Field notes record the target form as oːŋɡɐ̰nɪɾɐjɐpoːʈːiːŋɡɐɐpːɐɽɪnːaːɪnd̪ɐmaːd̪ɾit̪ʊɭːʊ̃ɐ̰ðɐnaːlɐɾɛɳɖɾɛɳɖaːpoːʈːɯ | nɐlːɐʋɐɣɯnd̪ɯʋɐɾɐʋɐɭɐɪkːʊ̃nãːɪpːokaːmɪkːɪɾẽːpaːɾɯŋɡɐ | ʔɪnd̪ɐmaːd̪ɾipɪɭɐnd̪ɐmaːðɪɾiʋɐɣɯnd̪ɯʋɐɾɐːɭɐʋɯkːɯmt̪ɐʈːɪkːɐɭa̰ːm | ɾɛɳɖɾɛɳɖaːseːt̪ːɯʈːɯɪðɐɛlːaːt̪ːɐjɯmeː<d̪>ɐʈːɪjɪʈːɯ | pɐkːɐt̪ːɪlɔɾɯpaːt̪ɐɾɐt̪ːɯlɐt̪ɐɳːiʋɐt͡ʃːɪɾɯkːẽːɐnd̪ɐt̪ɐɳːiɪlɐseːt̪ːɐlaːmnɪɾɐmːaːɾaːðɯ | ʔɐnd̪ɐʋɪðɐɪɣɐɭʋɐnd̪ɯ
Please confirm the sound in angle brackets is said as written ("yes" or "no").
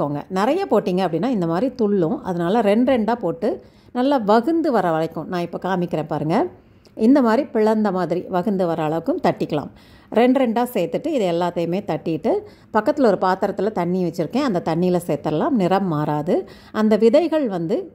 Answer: no